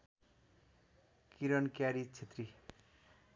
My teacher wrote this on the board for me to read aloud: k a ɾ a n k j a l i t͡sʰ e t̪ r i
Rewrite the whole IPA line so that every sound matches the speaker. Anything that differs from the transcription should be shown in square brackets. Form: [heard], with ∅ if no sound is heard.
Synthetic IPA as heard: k [i] ɾ [ʌ] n k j a [ɾ] i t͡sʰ e t̪ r i